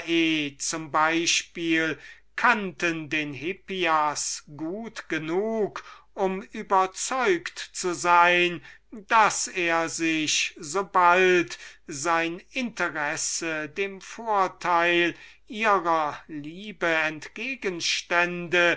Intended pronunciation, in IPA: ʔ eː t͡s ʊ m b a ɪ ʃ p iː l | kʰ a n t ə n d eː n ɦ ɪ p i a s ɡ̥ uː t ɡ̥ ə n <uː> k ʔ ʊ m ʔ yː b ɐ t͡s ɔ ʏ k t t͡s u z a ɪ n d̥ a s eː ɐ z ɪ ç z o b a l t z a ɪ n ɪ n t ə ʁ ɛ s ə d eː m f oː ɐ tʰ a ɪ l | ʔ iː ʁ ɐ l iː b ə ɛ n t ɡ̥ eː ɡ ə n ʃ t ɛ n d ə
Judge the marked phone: correct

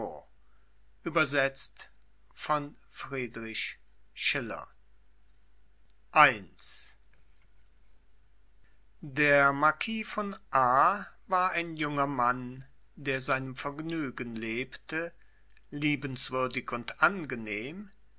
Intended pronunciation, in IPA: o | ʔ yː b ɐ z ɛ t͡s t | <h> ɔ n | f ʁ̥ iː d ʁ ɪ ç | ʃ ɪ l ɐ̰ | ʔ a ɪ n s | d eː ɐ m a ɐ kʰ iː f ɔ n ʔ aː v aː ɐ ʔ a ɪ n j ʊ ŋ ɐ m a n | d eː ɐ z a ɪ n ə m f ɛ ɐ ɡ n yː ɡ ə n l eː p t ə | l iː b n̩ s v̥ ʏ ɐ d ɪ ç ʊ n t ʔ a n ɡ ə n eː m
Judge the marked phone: incorrect: f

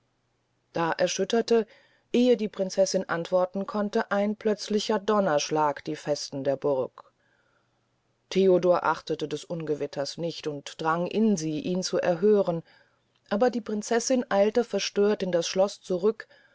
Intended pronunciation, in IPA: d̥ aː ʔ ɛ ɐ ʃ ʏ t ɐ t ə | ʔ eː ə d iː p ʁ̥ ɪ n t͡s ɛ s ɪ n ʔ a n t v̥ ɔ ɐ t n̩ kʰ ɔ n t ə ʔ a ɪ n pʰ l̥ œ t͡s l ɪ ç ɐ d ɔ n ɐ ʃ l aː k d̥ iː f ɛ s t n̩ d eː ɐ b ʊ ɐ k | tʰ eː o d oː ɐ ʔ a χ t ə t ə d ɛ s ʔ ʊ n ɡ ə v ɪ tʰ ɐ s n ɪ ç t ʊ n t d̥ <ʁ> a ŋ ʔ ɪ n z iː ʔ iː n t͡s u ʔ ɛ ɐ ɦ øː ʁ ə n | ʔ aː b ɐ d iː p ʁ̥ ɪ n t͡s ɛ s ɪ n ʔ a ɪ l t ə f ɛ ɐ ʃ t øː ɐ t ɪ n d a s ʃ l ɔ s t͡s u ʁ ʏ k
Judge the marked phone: correct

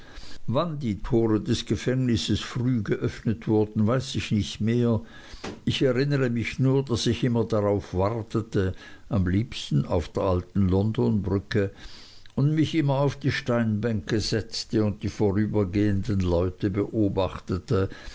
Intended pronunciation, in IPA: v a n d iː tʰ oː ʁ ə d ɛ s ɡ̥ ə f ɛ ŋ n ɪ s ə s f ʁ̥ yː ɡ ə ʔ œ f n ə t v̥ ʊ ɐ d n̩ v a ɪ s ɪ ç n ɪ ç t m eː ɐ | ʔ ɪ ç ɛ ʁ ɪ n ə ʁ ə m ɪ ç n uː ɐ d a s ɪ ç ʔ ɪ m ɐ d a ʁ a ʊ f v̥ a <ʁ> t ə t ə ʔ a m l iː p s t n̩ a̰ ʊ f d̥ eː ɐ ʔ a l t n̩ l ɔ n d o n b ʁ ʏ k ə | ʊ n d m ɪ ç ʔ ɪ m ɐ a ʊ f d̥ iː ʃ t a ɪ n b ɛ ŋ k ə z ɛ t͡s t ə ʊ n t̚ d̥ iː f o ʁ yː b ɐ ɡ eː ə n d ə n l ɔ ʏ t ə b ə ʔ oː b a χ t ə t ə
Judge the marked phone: correct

